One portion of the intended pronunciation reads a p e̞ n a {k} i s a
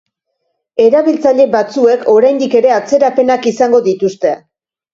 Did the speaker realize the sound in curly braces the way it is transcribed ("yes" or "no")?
yes